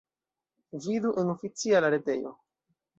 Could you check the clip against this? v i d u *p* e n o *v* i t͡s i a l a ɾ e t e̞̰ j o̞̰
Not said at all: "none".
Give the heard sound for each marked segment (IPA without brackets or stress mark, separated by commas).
ʔ, f